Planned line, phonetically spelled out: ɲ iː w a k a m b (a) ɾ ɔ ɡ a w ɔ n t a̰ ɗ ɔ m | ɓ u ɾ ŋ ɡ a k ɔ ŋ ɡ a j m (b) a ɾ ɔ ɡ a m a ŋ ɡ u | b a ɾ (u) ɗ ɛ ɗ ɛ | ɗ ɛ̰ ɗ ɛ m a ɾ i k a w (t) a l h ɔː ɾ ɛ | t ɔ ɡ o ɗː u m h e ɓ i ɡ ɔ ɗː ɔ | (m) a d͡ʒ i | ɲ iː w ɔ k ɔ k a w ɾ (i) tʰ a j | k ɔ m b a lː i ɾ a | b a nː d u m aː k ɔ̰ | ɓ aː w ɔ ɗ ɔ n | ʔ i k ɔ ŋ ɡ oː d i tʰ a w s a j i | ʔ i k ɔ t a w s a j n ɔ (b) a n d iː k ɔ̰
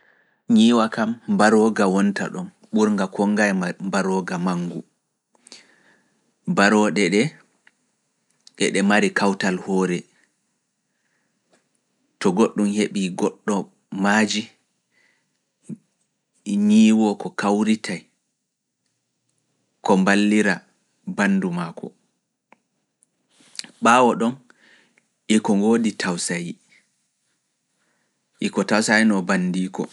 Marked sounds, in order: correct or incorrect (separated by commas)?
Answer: correct, correct, incorrect, correct, correct, correct, correct